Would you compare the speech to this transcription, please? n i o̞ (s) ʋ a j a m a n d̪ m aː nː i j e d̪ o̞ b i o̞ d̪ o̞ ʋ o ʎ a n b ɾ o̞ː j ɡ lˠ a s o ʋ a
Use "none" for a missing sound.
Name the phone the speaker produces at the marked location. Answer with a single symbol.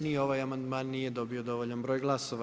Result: none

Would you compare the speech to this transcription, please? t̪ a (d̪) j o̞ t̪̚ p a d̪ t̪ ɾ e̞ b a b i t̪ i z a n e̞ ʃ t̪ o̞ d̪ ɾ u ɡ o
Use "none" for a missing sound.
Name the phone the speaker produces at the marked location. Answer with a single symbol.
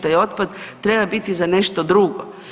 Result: none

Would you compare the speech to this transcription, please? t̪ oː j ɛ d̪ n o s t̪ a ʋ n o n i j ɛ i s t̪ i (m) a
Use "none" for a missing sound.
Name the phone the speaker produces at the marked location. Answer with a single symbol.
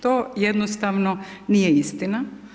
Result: n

